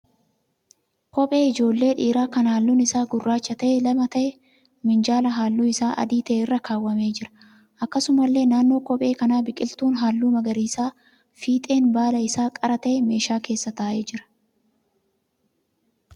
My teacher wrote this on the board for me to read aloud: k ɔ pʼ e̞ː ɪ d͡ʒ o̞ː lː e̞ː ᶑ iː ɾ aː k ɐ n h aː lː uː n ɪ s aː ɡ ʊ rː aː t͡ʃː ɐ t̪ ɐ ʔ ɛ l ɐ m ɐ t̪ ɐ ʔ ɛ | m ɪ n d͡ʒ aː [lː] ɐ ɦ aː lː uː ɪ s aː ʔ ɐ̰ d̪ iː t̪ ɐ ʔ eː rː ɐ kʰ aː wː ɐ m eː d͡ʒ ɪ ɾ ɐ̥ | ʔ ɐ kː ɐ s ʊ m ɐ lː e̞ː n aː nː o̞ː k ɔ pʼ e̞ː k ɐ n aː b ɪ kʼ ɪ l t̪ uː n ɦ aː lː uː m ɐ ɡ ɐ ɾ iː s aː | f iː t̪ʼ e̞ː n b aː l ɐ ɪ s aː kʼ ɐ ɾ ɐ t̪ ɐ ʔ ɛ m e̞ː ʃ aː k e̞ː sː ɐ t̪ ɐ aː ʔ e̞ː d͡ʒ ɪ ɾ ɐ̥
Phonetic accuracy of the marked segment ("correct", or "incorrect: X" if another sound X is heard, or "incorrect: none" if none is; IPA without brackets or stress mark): incorrect: l